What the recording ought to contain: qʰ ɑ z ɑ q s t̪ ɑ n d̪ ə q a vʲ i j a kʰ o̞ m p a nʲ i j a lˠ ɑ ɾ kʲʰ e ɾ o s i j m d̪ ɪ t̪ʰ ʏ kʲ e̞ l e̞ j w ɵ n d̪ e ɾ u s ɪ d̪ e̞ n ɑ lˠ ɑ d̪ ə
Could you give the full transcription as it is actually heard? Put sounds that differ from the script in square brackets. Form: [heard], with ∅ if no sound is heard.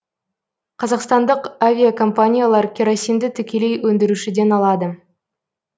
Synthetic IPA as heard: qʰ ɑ z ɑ q s t̪ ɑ n d̪ ə q a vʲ i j a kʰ o̞ m p a nʲ i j a lˠ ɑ ɾ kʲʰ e ɾ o s i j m d̪ ɪ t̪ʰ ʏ kʲ e̞ l e̞ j w ɵ n d̪ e ɾ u [ʃ] ɪ d̪ e̞ n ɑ lˠ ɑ d̪ ə